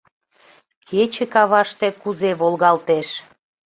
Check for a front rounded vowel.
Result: absent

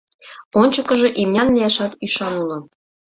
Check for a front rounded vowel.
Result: present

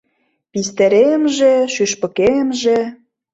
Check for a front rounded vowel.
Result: present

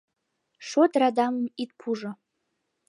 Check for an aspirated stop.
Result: present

